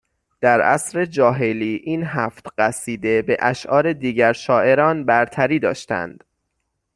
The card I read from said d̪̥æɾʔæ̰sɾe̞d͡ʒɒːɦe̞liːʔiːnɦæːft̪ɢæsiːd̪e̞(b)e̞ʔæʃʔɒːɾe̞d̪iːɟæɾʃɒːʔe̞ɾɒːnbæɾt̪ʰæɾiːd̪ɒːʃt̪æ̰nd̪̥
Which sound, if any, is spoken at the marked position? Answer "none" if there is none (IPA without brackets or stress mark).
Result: b